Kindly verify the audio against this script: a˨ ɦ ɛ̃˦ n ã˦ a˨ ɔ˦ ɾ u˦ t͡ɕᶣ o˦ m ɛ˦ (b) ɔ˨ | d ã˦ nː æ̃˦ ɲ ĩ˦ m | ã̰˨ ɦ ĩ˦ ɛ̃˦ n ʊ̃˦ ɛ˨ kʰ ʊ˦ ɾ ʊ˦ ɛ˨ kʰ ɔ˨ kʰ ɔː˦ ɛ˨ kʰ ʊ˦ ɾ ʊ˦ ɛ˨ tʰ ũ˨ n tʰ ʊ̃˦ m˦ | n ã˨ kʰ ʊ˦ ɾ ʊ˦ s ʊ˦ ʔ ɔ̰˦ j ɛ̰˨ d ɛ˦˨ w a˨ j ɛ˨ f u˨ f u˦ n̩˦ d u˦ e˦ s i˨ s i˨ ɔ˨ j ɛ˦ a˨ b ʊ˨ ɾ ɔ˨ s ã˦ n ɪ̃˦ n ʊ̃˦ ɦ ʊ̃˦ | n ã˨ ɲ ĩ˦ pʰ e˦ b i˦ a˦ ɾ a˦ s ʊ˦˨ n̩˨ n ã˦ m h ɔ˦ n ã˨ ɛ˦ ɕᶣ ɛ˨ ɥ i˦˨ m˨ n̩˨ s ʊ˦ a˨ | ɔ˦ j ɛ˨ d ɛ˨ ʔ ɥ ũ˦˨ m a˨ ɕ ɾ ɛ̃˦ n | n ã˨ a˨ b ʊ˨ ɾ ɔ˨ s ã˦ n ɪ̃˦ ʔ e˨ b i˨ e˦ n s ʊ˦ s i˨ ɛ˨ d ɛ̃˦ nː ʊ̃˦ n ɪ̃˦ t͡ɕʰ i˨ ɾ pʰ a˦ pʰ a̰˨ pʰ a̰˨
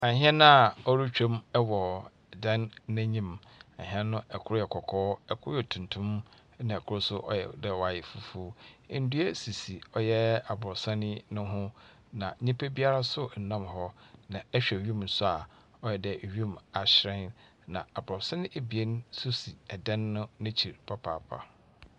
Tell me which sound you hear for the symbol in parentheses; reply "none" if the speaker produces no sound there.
w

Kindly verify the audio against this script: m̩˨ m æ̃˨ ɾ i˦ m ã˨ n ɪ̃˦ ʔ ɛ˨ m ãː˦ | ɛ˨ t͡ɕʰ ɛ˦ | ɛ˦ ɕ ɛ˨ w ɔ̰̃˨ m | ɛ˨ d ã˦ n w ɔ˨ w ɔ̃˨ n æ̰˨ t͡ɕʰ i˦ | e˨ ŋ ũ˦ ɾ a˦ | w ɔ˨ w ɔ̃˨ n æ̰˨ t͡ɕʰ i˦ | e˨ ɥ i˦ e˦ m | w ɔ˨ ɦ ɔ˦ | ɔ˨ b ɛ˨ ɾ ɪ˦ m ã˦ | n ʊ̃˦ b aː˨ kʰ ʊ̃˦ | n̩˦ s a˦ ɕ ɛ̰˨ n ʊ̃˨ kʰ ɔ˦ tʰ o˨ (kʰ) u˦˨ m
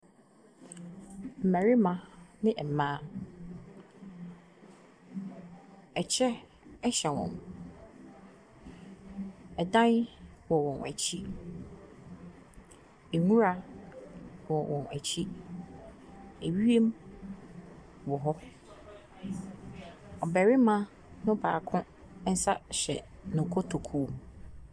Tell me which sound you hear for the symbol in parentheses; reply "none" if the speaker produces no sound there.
kʰ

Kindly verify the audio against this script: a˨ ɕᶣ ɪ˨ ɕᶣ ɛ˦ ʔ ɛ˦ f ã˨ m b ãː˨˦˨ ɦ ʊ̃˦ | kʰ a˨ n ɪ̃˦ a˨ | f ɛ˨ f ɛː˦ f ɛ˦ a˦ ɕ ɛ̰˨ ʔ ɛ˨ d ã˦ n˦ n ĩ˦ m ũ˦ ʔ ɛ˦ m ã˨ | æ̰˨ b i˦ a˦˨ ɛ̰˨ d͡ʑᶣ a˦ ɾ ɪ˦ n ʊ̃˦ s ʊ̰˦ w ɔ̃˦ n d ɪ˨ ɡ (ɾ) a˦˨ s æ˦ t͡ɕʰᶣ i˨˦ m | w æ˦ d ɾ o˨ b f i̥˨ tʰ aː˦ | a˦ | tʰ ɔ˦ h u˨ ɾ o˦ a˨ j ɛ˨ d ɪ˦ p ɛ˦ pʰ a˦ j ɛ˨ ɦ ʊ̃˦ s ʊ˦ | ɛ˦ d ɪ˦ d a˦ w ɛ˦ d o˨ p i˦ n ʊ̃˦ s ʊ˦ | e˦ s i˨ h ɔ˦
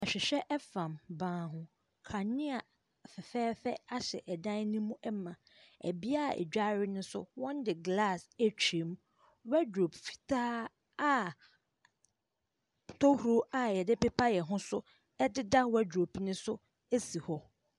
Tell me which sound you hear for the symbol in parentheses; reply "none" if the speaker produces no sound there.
l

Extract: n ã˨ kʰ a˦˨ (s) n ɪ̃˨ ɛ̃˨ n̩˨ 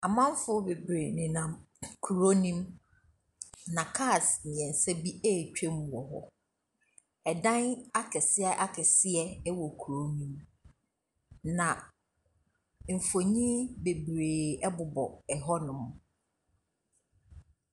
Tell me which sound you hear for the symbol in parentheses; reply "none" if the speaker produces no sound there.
s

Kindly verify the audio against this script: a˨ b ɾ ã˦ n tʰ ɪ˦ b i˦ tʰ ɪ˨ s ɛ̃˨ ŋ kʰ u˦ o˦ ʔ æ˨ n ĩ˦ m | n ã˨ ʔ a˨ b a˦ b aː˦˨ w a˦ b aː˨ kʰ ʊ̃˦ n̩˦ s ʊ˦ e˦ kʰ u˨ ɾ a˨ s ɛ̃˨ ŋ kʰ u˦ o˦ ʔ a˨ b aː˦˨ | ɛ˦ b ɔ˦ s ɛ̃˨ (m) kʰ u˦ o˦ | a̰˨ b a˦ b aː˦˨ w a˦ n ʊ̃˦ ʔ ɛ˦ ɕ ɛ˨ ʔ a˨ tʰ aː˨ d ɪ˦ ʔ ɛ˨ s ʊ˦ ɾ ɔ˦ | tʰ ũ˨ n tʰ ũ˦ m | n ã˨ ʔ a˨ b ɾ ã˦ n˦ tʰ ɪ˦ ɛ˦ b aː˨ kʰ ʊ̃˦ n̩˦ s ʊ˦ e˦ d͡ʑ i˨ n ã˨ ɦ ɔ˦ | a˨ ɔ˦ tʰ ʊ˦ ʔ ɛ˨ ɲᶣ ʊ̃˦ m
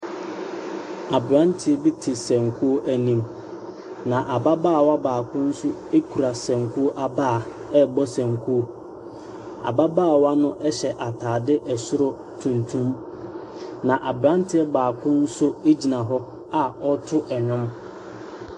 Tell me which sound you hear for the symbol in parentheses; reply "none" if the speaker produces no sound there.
ŋ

